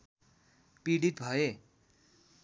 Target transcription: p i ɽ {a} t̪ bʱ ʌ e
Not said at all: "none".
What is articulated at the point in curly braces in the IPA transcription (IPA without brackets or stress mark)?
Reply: i